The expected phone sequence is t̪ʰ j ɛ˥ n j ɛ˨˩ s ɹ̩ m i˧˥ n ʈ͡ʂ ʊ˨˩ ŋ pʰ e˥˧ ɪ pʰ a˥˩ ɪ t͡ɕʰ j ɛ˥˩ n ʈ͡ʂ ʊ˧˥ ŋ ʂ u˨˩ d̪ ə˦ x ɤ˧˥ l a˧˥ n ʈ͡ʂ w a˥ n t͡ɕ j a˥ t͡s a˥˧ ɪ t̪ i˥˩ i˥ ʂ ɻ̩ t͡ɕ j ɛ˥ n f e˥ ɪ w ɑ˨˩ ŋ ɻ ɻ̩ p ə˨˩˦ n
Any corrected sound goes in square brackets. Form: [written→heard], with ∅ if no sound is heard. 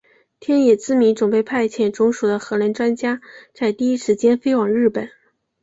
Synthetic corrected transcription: t̪ʰ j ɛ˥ n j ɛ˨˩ [s→t͡s] ɹ̩ m i˧˥ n ʈ͡ʂ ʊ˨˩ ŋ [pʰ→p] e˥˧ ɪ pʰ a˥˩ ɪ t͡ɕʰ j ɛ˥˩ n ʈ͡ʂ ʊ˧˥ ŋ ʂ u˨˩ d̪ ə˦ x ɤ˧˥ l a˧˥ n ʈ͡ʂ w a˥ n t͡ɕ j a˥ t͡s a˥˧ ɪ t̪ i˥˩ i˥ ʂ ɻ̩ t͡ɕ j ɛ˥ n f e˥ ɪ w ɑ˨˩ ŋ ɻ ɻ̩ p ə˨˩˦ n